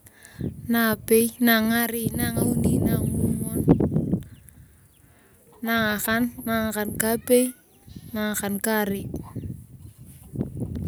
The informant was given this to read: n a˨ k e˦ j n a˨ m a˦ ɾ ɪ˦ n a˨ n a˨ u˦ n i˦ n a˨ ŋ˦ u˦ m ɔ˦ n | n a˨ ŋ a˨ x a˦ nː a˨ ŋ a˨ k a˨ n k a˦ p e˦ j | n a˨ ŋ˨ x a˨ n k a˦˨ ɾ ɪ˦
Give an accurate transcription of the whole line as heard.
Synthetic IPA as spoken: n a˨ p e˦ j n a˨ ŋ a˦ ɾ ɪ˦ n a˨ ŋ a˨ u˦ n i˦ n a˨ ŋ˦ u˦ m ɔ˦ n | n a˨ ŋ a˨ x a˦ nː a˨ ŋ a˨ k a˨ n k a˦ p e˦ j | n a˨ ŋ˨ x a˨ n k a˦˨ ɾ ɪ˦